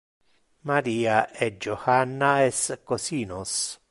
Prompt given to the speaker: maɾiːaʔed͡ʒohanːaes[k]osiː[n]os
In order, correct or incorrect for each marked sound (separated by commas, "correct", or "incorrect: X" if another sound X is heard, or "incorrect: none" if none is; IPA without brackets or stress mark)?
correct, correct